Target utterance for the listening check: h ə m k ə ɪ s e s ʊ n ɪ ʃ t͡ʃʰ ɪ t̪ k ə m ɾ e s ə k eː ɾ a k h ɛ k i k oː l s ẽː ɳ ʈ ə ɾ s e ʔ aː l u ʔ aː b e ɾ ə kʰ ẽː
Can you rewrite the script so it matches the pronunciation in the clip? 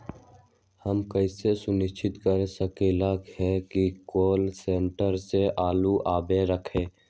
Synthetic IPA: h ə m k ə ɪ s e s ʊ n ɪ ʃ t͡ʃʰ ɪ t̪ k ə ɾ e s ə k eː l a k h ɛ k i k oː l s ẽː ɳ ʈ ə ɾ s e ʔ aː l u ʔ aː b e ɾ ə kʰ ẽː